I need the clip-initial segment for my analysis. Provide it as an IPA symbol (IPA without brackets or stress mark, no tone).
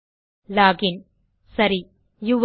l